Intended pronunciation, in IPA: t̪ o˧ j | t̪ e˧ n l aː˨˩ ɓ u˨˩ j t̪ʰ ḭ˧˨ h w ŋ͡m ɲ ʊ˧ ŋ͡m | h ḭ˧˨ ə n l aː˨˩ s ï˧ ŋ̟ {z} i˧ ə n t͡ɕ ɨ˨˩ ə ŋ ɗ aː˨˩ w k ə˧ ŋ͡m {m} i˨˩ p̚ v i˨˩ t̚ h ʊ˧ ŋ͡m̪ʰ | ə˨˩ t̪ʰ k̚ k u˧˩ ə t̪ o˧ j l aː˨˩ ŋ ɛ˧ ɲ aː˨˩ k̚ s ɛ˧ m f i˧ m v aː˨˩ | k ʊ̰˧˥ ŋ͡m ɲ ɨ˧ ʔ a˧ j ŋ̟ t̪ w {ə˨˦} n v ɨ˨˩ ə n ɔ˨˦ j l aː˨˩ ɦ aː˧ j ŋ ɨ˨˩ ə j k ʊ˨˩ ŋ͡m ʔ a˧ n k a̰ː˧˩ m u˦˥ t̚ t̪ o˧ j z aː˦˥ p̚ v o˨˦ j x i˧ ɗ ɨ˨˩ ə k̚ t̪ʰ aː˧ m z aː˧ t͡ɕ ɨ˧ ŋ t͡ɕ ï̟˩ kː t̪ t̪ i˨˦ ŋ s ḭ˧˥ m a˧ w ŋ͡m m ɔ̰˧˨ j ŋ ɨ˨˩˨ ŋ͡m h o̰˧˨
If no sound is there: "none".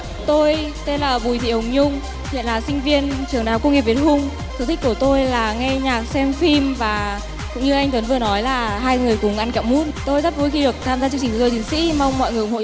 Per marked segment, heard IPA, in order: v, ŋ, ə˨˦

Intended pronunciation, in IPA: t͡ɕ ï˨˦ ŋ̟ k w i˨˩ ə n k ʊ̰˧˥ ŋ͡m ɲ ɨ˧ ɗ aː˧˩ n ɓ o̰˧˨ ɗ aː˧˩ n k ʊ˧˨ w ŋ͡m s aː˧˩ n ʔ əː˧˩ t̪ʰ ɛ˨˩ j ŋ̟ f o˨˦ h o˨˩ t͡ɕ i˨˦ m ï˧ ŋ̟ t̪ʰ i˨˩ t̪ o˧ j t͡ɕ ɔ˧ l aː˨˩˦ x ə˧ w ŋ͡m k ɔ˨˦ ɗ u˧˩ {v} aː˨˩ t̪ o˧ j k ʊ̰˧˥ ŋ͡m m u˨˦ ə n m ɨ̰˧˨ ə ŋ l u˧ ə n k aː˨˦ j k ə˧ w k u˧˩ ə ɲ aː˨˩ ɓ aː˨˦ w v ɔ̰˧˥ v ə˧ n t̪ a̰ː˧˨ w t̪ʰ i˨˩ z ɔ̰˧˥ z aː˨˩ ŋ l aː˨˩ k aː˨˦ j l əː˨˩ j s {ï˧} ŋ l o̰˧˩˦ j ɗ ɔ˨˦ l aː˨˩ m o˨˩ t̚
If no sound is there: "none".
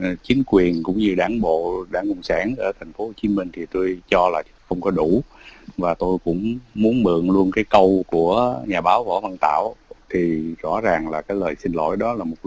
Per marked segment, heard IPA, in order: v, ï˧

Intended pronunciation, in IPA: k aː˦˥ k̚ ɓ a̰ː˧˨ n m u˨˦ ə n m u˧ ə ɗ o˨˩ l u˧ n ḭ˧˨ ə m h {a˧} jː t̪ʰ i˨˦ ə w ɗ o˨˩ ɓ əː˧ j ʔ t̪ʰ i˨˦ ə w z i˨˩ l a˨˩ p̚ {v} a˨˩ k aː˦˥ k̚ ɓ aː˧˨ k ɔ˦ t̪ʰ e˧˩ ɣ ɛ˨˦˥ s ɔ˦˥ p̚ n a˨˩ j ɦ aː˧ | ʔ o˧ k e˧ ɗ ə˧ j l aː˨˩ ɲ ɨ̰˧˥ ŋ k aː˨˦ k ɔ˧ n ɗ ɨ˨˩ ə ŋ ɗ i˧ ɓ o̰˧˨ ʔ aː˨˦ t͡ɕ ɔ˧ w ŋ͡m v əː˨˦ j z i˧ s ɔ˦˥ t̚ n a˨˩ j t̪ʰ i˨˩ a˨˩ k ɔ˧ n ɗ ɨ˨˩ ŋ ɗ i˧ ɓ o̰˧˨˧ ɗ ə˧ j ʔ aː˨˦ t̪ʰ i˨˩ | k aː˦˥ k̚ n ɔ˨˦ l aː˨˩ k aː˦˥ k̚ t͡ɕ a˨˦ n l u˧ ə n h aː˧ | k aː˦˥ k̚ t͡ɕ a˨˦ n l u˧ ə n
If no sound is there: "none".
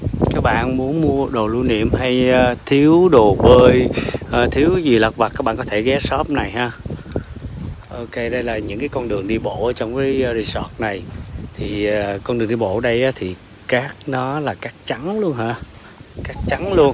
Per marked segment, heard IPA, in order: a˧, v

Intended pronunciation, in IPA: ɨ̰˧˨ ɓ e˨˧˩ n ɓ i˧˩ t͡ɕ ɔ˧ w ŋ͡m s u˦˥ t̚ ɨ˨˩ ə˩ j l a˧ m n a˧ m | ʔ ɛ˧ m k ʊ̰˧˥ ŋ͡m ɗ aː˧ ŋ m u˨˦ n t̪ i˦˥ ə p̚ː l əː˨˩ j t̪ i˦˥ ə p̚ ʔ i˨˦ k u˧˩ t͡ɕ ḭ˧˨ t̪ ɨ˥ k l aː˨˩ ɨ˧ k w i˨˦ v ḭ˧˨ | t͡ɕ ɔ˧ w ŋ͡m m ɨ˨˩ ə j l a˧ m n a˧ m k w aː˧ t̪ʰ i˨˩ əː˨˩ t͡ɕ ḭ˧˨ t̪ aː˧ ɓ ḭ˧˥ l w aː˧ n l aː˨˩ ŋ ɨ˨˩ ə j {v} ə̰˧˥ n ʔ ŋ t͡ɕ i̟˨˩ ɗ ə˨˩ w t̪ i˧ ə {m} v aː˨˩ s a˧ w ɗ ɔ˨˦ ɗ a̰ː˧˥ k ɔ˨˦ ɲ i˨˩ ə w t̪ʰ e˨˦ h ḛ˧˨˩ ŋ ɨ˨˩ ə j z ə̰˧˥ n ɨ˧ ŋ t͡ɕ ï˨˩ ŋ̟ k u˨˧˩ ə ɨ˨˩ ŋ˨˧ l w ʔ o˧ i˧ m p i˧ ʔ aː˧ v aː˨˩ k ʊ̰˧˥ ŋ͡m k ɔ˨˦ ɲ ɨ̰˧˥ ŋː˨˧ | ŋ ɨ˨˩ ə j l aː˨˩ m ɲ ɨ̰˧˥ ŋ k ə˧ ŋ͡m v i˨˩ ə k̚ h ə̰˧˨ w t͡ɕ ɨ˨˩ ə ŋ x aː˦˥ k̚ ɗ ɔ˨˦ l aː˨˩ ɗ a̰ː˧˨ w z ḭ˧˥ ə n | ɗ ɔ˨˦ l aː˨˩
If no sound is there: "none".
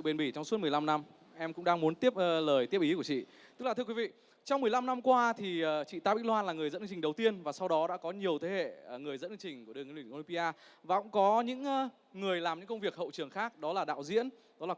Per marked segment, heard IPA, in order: z, n

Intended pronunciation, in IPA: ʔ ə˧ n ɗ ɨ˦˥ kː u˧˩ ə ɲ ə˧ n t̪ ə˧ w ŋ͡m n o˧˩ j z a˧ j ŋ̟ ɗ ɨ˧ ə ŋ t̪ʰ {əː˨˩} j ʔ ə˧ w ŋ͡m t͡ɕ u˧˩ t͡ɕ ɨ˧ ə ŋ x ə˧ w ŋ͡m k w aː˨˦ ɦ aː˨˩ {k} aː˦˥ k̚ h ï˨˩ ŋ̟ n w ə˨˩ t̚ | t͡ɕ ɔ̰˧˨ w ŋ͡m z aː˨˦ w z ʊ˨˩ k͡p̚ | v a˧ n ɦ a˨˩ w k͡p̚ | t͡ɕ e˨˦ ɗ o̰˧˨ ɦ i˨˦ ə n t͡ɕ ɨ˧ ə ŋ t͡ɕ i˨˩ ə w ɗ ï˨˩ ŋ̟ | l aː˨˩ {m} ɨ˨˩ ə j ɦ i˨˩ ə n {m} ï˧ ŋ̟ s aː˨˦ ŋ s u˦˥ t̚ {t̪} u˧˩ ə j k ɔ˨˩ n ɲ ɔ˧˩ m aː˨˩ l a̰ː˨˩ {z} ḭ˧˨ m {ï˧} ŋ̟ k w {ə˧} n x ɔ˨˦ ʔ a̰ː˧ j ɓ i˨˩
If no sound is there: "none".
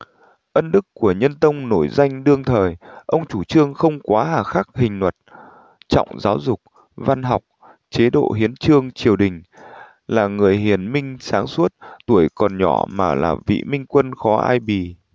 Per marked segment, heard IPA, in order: əː˨˩, x, ŋ, m, t̪, v, ï˧, ə˧

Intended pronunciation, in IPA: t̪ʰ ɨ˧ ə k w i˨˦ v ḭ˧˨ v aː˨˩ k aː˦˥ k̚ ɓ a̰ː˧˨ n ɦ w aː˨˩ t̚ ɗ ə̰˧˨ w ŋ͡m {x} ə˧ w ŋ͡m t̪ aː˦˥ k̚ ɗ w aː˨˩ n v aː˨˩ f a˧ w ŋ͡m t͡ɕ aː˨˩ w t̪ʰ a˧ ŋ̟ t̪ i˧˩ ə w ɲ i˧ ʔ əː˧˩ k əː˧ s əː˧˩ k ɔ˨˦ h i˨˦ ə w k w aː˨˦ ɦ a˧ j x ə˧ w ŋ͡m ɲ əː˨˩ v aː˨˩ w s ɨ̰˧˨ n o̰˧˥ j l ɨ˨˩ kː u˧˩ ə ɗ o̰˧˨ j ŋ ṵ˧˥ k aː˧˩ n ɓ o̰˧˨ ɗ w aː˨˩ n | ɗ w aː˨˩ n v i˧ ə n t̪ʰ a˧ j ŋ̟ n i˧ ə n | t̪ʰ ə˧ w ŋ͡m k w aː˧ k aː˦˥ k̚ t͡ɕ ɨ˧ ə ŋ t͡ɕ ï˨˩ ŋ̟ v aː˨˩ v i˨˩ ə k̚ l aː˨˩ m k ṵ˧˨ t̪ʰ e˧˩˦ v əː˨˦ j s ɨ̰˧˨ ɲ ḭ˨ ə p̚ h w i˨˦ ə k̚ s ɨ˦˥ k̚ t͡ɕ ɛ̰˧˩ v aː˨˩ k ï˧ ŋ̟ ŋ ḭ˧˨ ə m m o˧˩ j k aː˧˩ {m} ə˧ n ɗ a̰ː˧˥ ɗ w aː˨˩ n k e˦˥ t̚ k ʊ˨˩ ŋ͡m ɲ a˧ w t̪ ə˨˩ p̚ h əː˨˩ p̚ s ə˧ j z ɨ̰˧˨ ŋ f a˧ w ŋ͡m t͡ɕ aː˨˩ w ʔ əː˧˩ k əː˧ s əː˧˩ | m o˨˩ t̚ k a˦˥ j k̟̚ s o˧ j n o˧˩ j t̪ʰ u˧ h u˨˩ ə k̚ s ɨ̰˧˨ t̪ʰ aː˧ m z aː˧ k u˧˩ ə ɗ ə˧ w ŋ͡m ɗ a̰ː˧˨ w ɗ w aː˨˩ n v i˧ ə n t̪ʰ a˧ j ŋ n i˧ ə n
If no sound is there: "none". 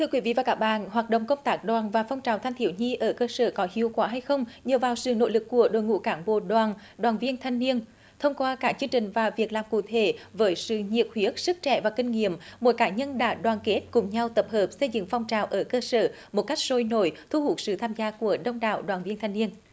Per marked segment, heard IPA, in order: k, ɲ

